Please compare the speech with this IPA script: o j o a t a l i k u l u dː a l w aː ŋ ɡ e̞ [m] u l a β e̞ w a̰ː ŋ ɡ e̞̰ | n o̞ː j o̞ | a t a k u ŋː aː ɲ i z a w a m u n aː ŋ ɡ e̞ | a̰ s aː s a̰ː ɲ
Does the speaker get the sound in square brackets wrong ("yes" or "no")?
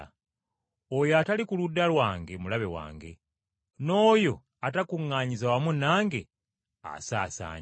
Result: no